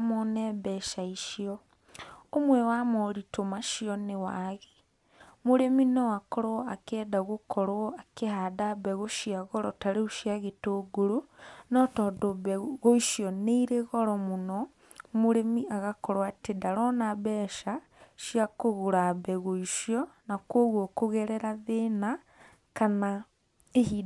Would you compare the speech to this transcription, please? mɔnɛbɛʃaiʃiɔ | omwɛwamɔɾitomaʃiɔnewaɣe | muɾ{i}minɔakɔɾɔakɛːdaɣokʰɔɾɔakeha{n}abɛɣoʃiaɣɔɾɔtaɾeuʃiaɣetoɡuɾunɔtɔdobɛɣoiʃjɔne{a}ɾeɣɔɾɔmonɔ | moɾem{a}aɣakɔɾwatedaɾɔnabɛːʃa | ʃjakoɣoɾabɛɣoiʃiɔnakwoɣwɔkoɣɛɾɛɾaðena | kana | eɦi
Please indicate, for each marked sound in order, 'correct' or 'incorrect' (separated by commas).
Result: incorrect, incorrect, incorrect, incorrect